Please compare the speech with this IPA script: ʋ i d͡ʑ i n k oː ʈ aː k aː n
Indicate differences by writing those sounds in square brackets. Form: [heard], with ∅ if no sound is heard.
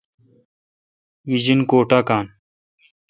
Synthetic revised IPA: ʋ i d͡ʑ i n k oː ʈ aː k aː n